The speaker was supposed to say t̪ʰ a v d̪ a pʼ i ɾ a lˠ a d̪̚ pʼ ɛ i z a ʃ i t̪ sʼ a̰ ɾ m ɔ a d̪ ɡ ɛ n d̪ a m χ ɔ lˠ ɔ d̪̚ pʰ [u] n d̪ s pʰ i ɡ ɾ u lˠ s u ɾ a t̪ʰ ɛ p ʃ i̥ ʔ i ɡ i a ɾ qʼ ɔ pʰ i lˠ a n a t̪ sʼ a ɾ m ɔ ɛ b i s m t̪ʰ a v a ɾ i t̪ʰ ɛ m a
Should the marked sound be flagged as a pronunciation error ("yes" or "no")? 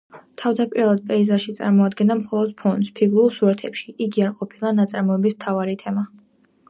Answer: yes